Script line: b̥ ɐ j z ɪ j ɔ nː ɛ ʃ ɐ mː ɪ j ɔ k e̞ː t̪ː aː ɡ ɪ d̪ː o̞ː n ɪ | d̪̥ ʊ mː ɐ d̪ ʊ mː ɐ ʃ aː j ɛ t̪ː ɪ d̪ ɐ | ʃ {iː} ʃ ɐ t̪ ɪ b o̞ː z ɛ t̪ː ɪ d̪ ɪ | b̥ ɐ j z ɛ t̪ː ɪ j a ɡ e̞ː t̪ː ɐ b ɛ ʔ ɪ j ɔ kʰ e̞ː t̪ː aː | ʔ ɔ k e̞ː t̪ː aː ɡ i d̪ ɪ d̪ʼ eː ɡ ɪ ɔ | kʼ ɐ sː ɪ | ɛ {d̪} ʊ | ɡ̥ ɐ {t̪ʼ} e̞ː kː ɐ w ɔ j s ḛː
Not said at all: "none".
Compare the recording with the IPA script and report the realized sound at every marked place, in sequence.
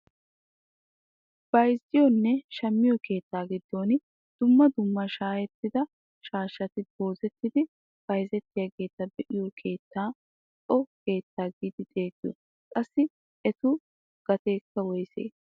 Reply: aː, t̪, t̪

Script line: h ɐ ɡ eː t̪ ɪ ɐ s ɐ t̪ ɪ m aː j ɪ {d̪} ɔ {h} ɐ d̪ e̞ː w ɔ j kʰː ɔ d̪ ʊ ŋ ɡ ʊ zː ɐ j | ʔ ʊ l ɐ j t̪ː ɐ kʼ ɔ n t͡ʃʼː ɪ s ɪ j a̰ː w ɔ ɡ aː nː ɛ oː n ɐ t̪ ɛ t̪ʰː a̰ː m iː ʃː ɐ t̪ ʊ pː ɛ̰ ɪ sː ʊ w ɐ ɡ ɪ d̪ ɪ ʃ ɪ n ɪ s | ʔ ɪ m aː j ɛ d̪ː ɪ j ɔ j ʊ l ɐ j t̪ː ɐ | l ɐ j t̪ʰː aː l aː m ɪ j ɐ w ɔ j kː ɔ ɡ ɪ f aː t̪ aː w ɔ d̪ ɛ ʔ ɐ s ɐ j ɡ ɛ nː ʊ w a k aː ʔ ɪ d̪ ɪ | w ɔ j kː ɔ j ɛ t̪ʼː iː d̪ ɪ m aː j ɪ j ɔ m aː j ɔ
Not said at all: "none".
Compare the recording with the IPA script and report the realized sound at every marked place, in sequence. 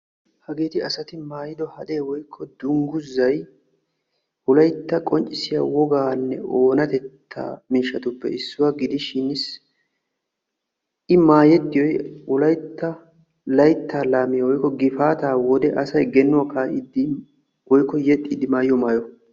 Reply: d̪, h

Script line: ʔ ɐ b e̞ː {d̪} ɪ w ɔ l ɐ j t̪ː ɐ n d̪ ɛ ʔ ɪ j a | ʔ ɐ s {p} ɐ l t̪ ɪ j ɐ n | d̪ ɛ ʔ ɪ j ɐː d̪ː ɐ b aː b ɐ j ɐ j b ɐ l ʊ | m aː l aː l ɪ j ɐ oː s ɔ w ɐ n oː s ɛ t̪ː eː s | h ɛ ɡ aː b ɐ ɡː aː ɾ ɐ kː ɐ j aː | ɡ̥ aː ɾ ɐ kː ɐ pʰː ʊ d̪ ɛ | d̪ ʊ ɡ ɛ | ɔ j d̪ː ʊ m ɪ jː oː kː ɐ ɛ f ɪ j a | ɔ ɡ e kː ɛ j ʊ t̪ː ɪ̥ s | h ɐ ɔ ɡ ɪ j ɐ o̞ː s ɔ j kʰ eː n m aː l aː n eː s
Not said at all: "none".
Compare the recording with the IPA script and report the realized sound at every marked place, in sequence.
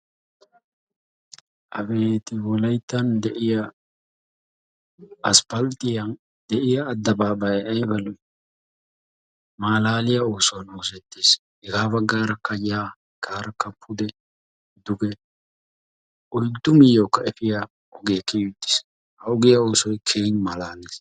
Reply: t̪, p

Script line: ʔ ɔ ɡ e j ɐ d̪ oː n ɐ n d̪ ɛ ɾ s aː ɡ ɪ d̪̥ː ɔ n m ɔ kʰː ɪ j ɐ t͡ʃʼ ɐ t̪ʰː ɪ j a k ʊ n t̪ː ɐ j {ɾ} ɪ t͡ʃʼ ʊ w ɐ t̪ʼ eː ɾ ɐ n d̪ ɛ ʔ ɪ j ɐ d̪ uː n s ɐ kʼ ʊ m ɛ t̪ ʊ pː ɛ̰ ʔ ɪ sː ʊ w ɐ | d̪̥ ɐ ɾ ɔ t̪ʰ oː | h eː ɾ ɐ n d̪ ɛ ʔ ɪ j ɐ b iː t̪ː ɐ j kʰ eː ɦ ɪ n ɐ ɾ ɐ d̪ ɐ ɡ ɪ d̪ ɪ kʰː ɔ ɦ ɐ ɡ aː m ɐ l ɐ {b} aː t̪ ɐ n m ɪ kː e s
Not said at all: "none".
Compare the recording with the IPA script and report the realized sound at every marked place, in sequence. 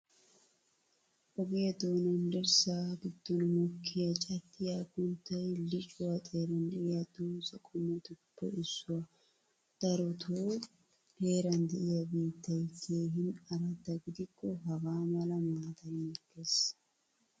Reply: l, m

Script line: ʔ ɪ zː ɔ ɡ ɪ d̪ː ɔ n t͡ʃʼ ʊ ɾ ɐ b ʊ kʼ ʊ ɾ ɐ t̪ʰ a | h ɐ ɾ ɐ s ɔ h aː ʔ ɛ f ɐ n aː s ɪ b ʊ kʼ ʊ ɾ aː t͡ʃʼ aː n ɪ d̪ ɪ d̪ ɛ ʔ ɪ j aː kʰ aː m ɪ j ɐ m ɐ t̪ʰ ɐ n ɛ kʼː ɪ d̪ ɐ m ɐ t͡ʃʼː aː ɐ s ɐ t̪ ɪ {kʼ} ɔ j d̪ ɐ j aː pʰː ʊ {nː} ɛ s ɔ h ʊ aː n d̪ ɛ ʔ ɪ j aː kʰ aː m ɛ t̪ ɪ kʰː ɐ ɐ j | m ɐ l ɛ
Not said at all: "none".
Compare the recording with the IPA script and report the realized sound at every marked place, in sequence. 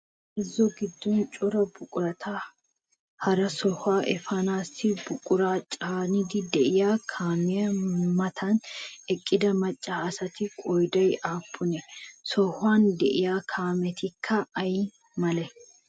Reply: kʼ, n

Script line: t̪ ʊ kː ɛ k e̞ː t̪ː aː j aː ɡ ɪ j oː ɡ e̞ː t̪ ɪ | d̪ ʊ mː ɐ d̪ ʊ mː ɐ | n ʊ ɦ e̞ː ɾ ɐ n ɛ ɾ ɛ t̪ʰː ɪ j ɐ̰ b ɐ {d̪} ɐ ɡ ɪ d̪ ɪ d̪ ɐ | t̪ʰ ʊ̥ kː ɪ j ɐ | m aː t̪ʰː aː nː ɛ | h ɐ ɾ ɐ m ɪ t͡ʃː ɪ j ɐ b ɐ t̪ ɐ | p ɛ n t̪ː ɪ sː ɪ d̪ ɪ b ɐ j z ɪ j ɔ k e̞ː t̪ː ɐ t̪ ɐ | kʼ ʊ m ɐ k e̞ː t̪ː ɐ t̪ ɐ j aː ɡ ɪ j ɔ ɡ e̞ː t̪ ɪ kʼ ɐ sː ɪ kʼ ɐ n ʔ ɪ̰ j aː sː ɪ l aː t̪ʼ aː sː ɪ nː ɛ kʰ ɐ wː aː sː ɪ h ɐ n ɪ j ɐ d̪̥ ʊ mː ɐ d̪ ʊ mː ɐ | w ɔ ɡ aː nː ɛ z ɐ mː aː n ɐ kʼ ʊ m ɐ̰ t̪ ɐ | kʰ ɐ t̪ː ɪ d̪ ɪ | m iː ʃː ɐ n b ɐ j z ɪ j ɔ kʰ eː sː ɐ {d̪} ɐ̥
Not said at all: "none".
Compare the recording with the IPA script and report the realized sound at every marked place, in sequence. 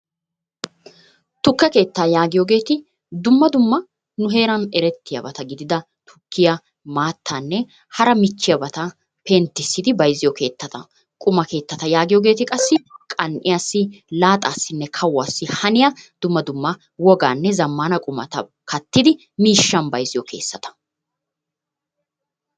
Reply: t̪, t̪

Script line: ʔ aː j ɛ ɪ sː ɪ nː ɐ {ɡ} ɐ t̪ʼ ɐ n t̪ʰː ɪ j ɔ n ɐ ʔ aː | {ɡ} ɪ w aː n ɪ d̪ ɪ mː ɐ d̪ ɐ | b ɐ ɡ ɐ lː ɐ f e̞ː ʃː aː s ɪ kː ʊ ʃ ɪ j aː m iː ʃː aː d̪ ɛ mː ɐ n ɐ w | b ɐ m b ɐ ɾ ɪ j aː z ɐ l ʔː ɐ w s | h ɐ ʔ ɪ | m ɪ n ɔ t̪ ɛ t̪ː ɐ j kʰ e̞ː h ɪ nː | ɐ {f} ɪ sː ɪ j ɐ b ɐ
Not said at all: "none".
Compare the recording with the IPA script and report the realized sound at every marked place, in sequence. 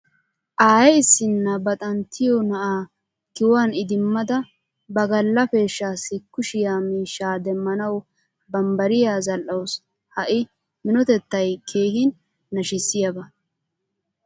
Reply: b, k, ʃ

